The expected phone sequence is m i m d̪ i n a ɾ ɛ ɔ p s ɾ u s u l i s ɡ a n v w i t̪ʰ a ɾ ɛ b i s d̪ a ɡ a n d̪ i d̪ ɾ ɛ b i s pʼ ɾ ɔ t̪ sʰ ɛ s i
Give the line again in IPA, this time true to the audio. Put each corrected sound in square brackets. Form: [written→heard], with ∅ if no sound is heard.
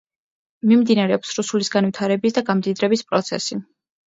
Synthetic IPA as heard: m i m d̪ i n a ɾ ɛ ɔ p s ɾ u s u l i s ɡ a n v w i t̪ʰ a ɾ ɛ b i s d̪ a ɡ a [n→m] d̪ i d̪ ɾ ɛ b i s pʼ ɾ ɔ t̪ sʰ ɛ s i

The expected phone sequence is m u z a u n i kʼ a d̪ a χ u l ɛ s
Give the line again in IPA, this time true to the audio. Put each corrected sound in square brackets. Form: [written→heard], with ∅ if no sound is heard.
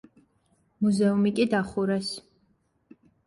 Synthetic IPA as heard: m u z [a→ɛ] u [n→m] i kʼ [a→i] d̪ a χ u [l→ɾ] ɛ s

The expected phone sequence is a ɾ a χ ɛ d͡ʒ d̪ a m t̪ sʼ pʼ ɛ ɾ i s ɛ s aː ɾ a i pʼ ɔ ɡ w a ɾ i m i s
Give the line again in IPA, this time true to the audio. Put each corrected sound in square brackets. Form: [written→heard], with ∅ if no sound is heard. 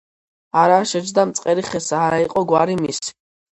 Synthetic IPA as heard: a ɾ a [χ→ʃ] ɛ d͡ʒ d̪ a m t̪ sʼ [pʼ→qʼ] ɛ ɾ i [s→χ] ɛ s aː ɾ a i [pʼ→qʼ] ɔ ɡ w a ɾ i m i s

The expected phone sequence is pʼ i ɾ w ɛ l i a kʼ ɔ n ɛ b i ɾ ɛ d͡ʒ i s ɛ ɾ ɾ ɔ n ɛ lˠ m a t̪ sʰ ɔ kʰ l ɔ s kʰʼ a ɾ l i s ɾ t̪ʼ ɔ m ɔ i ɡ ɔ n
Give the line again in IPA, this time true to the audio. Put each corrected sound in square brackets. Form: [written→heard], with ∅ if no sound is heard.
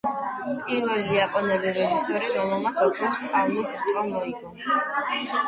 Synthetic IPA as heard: pʼ i ɾ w ɛ l i a [kʼ→pʼ] ɔ n ɛ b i ɾ ɛ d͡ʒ i s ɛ ɾ ɾ ɔ [n→m] ɛ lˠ m a t̪ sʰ ɔ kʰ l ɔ s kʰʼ a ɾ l i s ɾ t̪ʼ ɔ m ɔ i ɡ ɔ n

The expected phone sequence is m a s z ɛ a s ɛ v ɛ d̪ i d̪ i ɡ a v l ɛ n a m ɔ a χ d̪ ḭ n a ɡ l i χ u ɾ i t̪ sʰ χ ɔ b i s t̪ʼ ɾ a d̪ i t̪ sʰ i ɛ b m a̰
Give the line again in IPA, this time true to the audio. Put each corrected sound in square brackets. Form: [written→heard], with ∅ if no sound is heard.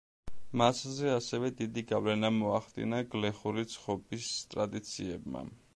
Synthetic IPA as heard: m a s z ɛ a s ɛ v ɛ d̪ i d̪ i ɡ a v l ɛ n a m ɔ a χ d̪ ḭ n a ɡ l [i→ɛ] χ u ɾ i t̪ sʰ χ ɔ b i s t̪ʼ ɾ a d̪ i t̪ sʰ i ɛ b m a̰

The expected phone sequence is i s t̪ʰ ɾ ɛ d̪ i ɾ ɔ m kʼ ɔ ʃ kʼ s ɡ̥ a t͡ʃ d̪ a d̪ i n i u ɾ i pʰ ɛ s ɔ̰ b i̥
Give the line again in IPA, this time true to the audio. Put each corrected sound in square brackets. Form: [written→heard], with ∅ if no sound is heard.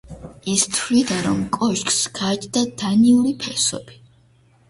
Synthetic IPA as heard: i s t̪ʰ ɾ [ɛ→i] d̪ [i→a] ɾ ɔ m kʼ ɔ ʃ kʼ s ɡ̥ a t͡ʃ d̪ a d̪ [i→a] n i u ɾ i pʰ ɛ s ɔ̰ b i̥

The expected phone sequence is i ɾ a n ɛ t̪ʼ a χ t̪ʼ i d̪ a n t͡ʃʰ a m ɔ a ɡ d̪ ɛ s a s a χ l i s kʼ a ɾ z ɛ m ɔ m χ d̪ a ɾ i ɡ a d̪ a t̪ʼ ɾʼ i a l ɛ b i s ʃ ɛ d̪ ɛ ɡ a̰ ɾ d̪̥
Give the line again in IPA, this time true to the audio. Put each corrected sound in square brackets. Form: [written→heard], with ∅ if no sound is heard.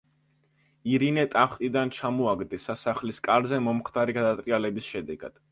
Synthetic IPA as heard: i ɾ [a→i] n ɛ t̪ʼ a χ t̪ʼ i d̪ a n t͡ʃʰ a m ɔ a ɡ d̪ ɛ s a s a χ l i s kʼ a ɾ z ɛ m ɔ m χ d̪ a ɾ i ɡ a d̪ a t̪ʼ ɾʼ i a l ɛ b i s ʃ ɛ d̪ ɛ ɡ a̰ [ɾ→∅] d̪̥

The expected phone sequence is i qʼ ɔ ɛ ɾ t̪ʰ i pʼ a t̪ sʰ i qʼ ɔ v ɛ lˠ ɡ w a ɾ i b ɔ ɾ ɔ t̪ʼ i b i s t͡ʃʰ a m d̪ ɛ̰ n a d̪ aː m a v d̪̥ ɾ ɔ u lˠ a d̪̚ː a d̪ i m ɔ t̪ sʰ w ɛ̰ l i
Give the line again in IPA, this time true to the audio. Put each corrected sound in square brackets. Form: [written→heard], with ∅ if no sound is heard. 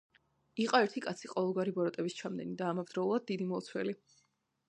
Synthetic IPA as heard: i qʼ ɔ ɛ ɾ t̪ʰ i [pʼ→kʼ] a t̪ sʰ i qʼ ɔ v ɛ lˠ ɡ w a ɾ i b ɔ ɾ ɔ t̪ʼ [i→ɛ] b i s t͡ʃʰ a m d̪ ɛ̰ n [a→i] d̪ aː m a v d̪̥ ɾ ɔ u lˠ a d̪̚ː [a→i] d̪ i m ɔ t̪ sʰ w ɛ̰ l i

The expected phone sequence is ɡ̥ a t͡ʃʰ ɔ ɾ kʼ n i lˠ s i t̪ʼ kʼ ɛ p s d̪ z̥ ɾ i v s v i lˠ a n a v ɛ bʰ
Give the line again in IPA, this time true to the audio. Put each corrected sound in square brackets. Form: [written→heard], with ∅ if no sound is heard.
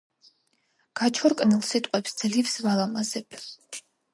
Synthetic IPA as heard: ɡ̥ a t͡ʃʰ ɔ ɾ kʼ n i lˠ s i t̪ʼ [kʼ→qʼ] ɛ p s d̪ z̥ [ɾ→l] i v s v [i→a] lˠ a [n→m] a [v→z] ɛ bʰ

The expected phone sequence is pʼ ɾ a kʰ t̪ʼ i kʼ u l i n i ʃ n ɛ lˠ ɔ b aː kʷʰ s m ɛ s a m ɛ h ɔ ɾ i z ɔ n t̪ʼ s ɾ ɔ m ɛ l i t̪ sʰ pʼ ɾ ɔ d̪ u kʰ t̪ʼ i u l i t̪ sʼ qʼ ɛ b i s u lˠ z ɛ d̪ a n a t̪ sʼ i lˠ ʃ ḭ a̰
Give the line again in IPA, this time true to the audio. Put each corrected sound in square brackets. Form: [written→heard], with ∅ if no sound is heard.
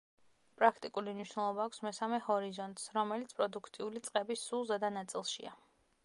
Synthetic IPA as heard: pʼ ɾ a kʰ t̪ʼ i kʼ u l i n i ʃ n ɛ lˠ ɔ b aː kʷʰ s m ɛ s a m ɛ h ɔ ɾ i z ɔ n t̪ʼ s ɾ ɔ m ɛ l i t̪ sʰ pʼ ɾ ɔ d̪ u kʰ t̪ʼ i u l i t̪ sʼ qʼ ɛ b i s u lˠ z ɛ d̪ a n a t̪ sʼ i lˠ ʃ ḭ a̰

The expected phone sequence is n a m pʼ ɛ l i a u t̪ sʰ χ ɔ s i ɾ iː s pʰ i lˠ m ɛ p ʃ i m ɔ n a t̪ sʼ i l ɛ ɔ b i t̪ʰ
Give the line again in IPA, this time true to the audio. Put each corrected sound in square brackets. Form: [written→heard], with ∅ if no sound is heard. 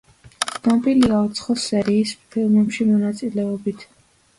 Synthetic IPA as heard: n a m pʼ [ɛ→i] l i a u t̪ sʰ χ ɔ s [i→ɛ] ɾ iː s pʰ i lˠ m ɛ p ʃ i m ɔ n a t̪ sʼ i l ɛ ɔ b i t̪ʰ

